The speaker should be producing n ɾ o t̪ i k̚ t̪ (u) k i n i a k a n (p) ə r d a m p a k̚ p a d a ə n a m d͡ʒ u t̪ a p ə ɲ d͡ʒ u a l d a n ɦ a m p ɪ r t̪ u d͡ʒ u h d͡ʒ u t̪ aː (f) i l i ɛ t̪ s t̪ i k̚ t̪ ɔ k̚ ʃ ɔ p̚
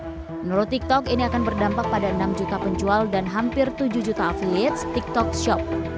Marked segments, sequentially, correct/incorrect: incorrect: ɔ, incorrect: b, correct

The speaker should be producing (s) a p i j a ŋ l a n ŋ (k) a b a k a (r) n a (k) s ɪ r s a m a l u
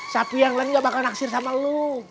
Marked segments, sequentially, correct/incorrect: correct, incorrect: ɡ, incorrect: l, correct

